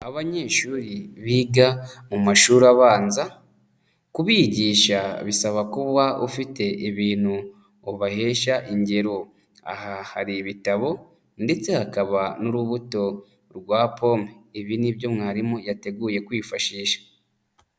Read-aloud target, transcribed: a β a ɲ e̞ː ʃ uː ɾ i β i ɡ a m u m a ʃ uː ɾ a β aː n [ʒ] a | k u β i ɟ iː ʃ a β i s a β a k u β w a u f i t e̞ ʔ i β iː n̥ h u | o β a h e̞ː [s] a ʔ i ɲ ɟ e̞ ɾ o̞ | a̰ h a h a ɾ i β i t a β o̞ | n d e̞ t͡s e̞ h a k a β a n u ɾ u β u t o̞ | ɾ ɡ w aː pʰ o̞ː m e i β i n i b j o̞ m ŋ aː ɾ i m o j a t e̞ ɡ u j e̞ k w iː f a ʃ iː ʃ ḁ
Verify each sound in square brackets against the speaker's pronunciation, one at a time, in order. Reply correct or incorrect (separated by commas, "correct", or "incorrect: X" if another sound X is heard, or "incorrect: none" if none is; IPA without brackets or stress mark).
incorrect: z, incorrect: ʃ